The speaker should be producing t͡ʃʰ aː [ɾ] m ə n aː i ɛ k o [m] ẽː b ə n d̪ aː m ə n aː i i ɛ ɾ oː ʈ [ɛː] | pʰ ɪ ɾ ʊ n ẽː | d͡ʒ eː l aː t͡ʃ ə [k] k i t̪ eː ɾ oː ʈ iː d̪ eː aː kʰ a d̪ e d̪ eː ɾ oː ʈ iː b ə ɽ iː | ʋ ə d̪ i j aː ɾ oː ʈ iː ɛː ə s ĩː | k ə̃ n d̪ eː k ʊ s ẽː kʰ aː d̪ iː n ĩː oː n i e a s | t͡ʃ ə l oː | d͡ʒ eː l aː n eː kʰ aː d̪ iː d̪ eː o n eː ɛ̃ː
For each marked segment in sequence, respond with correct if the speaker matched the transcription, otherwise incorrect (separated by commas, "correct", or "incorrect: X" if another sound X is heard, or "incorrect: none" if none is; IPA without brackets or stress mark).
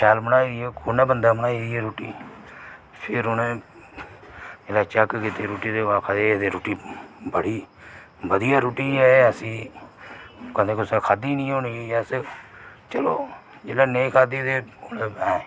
incorrect: l, incorrect: n, incorrect: iː, correct